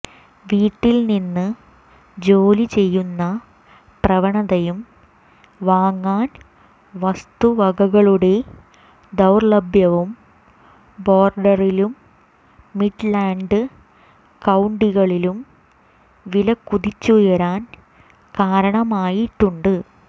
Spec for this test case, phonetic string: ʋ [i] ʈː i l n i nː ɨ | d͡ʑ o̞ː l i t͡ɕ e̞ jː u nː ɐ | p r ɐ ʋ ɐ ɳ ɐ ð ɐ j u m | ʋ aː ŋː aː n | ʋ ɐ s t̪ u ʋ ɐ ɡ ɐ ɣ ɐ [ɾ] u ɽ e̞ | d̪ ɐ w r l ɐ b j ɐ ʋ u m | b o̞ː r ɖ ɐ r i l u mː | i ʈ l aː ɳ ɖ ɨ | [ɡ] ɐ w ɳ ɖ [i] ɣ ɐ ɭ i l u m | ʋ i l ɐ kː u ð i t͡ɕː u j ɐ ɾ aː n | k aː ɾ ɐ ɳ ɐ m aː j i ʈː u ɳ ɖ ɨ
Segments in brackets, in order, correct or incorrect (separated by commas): incorrect, incorrect, incorrect, correct